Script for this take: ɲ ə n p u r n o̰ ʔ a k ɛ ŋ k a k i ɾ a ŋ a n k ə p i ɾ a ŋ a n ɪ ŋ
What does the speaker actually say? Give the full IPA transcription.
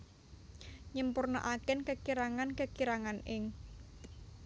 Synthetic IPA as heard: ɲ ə m p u r n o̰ ʔ a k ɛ n k ə k i ɾ a ŋ a n k ə k i ɾ a ŋ a n ɪ ŋ